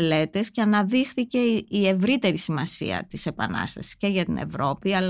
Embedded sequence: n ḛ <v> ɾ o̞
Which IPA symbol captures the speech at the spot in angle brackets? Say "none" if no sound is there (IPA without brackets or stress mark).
v